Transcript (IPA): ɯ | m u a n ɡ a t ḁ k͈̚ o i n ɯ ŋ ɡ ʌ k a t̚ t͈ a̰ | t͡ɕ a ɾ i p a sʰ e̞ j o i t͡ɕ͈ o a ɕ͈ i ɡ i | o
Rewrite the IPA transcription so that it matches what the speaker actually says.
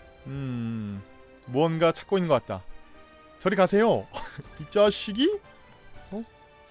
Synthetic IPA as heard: ɯ | m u ʌ n ɡ a t͡ɕʰ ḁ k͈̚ o i n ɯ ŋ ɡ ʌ k a t̚ t͈ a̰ | t͡ɕ ʌ ɾ i k a sʰ e̞ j o i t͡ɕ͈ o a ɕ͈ i ɡ i | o